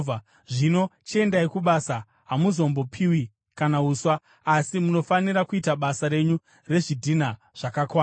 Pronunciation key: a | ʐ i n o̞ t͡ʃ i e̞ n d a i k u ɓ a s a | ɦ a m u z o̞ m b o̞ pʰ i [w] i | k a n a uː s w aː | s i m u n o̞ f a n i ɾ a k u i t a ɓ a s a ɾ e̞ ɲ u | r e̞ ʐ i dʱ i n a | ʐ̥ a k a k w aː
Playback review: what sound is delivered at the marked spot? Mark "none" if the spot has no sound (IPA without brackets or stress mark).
w